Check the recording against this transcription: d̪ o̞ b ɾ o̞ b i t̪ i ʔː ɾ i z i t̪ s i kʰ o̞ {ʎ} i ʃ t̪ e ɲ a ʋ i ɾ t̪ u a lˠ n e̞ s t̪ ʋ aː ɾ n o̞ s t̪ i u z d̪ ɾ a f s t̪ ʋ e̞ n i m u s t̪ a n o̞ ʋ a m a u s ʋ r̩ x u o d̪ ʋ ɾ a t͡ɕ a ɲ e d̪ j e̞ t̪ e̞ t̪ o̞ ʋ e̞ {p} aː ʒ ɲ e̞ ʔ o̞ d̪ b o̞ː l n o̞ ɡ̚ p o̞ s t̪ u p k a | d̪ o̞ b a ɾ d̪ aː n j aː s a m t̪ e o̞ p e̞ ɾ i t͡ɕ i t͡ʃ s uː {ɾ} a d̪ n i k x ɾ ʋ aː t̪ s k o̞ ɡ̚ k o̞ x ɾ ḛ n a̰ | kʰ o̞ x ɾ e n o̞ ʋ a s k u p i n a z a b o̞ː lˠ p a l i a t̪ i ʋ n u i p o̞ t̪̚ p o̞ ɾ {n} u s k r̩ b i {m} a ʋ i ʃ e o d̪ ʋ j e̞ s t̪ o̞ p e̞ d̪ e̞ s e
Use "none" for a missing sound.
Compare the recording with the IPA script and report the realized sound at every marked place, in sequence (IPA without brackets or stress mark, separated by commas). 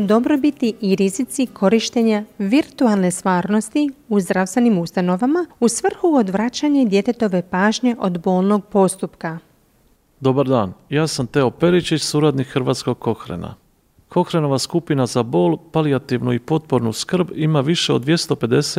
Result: ɾ, p, ɾ, n, m